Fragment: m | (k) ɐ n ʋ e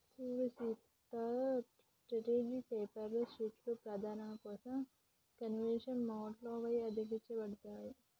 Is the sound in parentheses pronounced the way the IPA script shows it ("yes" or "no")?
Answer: yes